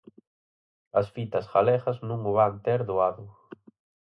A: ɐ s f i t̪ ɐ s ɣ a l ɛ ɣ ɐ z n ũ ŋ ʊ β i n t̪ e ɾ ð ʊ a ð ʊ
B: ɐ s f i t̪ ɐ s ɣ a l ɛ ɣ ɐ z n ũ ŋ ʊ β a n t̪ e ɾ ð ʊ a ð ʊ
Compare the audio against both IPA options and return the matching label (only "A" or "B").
B